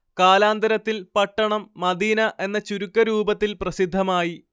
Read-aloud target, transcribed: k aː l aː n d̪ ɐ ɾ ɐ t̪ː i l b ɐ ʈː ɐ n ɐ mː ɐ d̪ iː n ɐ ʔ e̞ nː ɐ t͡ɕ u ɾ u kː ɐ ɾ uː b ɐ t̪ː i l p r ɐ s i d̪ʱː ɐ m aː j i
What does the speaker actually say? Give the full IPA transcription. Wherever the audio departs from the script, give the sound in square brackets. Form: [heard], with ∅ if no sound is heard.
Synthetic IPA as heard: k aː l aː n d̪ ɐ ɾ ɐ t̪ː i l [p] ɐ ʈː ɐ [ɳ] ɐ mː ɐ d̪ iː n ɐ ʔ e̞ nː ɐ t͡ɕ u ɾ u kː ɐ ɾ uː b ɐ t̪ː i l p r ɐ s i d̪ʱː ɐ m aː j i

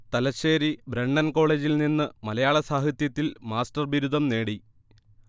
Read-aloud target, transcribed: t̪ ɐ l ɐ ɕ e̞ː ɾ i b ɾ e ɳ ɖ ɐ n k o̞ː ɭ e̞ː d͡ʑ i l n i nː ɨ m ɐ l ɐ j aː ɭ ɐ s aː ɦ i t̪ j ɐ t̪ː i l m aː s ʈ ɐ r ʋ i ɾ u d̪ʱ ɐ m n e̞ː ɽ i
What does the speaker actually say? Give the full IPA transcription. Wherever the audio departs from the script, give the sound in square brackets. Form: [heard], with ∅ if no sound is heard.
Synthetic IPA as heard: t̪ ɐ l ɐ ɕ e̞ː ɾ i b ɾ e ɳ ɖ ɐ n k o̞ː ɭ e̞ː d͡ʑ i l n i nː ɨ m ɐ l ɐ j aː ɭ ɐ s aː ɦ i t̪ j ɐ t̪ː i l m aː s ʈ ɐ r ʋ i ɾ u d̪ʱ ɐ m n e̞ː ɽ i

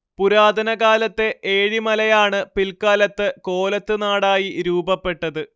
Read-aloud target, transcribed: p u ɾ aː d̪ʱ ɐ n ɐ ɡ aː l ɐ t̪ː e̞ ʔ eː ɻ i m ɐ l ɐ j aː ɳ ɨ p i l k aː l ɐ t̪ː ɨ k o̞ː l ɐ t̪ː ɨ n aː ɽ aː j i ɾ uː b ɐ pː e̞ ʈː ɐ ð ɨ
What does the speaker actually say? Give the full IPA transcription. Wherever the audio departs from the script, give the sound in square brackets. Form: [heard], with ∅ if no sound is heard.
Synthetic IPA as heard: p u ɾ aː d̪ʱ ɐ n ɐ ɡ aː l ɐ t̪ː e̞ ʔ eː ɻ i m ɐ l ɐ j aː ɳ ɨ p i l k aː l ɐ t̪ː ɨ k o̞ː l ɐ t̪ː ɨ n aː ɽ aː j i ɾ uː b ɐ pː e̞ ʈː ɐ ð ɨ

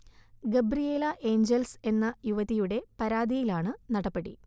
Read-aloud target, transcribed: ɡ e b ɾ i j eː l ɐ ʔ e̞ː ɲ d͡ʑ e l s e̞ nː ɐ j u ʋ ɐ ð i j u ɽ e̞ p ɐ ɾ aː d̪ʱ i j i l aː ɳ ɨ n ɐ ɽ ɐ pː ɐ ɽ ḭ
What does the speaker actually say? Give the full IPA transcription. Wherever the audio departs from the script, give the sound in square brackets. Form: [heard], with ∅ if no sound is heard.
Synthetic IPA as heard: ɡ e b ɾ i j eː l ɐ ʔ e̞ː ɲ d͡ʑ e l s e̞ nː ɐ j u ʋ ɐ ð i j u ɽ e̞ p ɐ ɾ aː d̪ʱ i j i l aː ɳ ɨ n ɐ ɽ ɐ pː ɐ ɽ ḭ

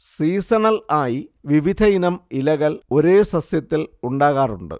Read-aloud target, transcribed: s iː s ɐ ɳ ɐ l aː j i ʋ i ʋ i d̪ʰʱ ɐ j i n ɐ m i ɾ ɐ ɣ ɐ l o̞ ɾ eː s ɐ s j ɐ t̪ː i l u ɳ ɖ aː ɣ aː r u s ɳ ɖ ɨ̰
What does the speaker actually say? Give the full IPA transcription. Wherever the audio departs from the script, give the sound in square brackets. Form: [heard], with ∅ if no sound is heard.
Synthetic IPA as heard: s iː s ɐ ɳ ɐ l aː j i ʋ i ʋ i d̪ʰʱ ɐ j i n ɐ m i [l] ɐ ɣ ɐ l o̞ ɾ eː s ɐ s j ɐ t̪ː i l u ɳ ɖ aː ɣ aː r u [∅] ɳ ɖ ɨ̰

